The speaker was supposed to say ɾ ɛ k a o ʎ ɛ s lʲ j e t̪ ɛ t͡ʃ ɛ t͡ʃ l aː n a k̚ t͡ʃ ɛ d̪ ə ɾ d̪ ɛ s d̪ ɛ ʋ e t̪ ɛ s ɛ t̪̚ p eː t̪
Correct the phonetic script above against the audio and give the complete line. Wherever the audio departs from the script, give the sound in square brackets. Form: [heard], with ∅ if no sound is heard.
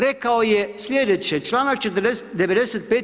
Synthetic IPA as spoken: ɾ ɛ k a o [j] ɛ s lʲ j e [d̪] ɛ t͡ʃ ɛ t͡ʃ l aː n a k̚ t͡ʃ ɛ [t̪] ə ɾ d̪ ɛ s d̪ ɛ ʋ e [d̪] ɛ s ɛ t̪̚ p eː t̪

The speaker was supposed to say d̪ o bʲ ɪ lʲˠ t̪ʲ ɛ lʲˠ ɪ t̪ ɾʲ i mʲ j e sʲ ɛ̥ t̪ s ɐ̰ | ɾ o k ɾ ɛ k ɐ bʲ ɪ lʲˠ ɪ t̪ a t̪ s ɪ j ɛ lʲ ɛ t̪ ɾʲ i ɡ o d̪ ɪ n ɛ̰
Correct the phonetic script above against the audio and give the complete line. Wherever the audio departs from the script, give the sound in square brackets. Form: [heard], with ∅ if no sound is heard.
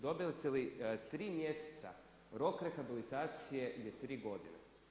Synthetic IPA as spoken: d̪ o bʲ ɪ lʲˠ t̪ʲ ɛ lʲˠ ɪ t̪ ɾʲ i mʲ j e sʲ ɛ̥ t̪ s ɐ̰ | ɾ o k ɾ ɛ [x] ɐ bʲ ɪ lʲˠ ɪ t̪ a t̪ s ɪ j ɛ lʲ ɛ t̪ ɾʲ i ɡ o d̪ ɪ n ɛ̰

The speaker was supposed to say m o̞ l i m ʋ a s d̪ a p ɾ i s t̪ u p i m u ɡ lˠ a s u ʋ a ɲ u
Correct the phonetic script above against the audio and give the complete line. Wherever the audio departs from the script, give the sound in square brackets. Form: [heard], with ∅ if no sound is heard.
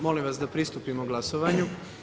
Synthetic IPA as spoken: m o̞ l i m ʋ a s d̪ a p ɾ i s t̪ u p i m [o] ɡ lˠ a s [o] ʋ a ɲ u

